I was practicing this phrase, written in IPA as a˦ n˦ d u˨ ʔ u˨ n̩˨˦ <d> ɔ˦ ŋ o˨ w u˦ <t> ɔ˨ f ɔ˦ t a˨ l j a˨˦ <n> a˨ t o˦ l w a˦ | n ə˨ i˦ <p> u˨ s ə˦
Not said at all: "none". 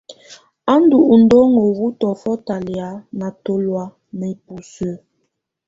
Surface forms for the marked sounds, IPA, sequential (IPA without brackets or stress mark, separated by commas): d, t, n, p